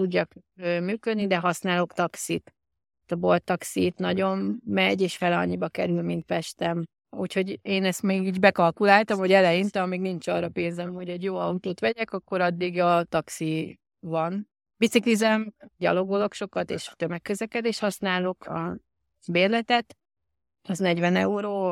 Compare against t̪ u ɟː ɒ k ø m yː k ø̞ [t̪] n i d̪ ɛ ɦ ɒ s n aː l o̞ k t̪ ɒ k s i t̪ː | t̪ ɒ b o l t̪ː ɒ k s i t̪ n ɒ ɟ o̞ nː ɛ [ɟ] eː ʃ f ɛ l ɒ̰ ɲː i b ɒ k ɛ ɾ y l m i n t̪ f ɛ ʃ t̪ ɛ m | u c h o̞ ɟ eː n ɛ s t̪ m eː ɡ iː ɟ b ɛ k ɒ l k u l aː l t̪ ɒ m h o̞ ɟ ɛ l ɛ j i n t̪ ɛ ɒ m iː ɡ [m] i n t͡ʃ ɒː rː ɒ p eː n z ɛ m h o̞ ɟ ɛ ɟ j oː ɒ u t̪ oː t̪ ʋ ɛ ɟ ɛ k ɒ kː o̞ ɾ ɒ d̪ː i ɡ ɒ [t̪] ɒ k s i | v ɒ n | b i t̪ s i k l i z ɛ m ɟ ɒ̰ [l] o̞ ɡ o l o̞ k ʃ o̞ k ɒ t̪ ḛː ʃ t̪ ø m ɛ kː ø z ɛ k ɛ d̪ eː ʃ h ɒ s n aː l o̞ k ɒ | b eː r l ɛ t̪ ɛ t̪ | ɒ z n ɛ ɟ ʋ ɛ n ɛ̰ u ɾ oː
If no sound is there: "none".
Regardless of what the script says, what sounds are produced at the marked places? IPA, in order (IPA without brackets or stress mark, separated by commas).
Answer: d̪, ɟ, n, t̪, l